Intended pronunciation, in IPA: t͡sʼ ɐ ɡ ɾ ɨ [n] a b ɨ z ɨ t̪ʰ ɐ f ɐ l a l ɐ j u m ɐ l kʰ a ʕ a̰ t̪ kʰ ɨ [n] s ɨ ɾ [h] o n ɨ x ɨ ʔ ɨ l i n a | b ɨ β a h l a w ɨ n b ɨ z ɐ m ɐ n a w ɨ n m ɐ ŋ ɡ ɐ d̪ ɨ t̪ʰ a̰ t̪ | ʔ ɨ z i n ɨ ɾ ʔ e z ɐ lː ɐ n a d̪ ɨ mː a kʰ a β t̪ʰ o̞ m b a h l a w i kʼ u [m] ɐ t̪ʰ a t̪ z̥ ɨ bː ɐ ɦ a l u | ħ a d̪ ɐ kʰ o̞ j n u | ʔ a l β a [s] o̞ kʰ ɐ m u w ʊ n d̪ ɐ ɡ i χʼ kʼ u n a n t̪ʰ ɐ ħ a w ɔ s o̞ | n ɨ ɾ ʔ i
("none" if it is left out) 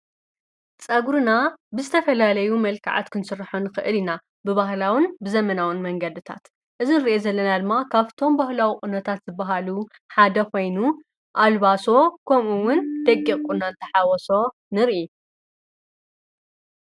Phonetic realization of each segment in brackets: n, n, ħ, n, s

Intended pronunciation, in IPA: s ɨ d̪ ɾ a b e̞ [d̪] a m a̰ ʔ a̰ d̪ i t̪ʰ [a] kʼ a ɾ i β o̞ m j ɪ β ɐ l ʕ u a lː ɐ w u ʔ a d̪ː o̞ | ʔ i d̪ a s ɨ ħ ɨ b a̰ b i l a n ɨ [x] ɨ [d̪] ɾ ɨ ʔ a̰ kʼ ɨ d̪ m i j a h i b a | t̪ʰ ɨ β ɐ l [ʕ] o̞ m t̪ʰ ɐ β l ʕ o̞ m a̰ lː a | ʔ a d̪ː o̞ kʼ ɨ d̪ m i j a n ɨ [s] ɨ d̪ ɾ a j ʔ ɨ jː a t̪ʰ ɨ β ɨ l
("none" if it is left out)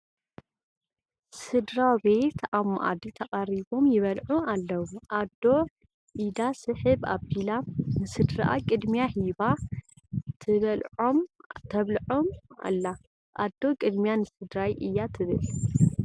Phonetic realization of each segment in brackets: t̪, ɐ, s, d̪, ʕ, s

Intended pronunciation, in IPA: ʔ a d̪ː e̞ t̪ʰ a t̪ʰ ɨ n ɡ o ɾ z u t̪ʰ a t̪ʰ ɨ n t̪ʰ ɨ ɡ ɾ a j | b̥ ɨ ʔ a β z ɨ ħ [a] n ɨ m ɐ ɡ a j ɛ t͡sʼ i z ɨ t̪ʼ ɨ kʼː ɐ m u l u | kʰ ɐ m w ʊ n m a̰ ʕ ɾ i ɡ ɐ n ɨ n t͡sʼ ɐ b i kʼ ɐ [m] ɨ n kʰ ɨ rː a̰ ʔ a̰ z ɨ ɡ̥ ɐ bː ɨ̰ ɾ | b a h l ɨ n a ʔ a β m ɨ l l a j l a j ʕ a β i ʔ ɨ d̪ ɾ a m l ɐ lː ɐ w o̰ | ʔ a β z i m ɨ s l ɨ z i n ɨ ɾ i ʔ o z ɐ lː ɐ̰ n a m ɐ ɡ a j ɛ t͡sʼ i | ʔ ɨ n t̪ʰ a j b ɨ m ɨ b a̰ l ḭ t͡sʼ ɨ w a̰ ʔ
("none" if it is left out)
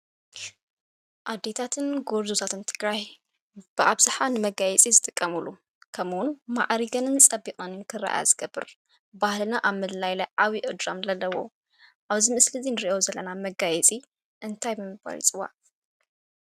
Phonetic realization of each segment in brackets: a, n

